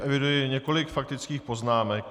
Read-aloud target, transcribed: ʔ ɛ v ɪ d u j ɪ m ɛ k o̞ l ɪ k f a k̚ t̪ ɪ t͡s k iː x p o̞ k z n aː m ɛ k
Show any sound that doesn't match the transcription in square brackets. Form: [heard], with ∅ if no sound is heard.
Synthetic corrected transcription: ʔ ɛ v ɪ d u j ɪ [ɲ] ɛ k o̞ l ɪ k f a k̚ t̪ ɪ t͡s k iː x p o̞ [∅] z n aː m ɛ k